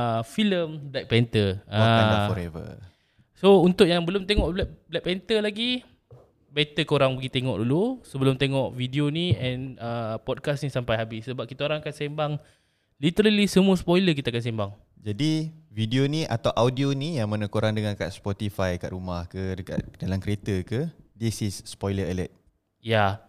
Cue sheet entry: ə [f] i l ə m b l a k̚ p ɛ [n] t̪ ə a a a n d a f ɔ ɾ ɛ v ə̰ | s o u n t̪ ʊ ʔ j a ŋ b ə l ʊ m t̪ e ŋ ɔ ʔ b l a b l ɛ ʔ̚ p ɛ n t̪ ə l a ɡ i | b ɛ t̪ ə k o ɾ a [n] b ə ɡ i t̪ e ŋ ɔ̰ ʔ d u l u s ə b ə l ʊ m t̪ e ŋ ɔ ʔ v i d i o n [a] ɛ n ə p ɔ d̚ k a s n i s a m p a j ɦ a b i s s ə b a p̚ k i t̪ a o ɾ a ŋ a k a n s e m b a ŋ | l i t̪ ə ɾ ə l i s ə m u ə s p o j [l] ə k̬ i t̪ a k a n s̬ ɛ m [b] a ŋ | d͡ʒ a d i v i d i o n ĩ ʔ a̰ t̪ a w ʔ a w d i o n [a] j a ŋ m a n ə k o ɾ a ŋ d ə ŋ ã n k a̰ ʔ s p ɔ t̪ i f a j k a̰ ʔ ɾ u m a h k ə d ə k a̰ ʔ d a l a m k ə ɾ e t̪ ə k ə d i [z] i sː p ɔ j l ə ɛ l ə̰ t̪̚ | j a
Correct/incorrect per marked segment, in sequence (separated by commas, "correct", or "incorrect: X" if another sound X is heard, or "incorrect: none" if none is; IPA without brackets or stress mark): correct, correct, incorrect: ŋ, incorrect: i, correct, correct, incorrect: i, incorrect: s